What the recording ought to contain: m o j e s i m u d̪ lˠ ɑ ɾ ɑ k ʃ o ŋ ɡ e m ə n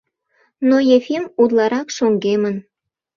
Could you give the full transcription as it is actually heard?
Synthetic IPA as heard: n o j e f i m u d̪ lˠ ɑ ɾ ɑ k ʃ o ŋ ɡ e m ə n